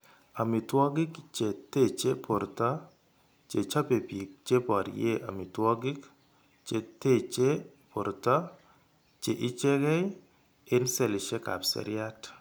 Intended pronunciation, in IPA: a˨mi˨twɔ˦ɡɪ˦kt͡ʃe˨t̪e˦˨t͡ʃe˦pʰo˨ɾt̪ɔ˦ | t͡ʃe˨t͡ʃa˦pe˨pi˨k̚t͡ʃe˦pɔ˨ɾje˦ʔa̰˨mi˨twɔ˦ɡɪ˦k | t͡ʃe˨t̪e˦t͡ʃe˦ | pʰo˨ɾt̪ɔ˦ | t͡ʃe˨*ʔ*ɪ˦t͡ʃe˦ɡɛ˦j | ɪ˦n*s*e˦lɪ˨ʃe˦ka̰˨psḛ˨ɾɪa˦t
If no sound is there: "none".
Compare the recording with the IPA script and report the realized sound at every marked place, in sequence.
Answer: ʔ, s

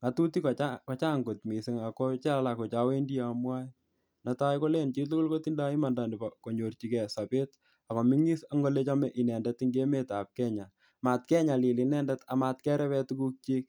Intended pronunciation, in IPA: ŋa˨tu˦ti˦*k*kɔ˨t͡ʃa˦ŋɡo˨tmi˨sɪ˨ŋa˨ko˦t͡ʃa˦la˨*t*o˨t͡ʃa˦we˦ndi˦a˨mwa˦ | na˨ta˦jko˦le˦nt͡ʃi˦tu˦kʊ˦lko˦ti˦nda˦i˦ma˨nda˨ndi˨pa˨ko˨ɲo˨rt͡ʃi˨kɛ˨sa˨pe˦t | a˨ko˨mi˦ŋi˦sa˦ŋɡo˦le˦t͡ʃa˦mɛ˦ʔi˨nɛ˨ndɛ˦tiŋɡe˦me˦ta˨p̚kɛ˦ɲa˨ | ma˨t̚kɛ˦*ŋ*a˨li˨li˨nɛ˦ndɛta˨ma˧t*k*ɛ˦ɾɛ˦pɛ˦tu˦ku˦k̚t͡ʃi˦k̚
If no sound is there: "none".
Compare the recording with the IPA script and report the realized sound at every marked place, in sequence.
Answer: k, k, ɲ, k

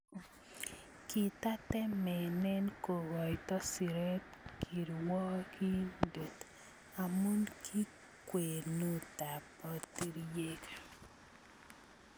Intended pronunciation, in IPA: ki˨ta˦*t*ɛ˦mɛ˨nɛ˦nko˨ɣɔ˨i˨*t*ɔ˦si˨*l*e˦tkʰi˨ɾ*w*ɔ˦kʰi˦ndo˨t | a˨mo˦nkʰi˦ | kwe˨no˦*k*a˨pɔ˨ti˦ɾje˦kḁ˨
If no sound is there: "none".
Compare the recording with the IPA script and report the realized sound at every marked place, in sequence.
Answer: t, t, ɾ, w, t

